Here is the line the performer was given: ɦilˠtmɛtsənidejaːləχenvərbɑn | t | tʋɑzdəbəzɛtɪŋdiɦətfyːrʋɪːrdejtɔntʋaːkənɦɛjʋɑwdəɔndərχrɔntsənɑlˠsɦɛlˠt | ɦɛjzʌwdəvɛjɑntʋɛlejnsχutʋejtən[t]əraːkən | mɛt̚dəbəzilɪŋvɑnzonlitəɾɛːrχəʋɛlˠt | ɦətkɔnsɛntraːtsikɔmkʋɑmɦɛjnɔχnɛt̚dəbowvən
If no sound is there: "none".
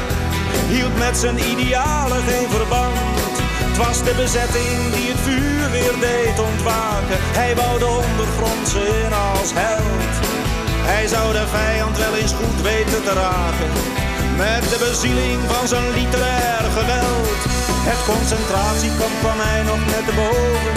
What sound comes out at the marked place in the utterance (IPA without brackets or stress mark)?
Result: t